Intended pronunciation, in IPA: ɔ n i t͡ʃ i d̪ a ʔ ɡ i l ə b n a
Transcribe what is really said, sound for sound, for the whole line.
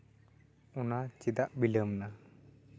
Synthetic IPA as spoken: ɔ n a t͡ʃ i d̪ a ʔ b i l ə m n a

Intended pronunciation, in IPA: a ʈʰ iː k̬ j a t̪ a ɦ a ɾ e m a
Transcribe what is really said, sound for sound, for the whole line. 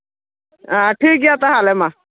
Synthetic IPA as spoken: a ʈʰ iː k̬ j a t̪ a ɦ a l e m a

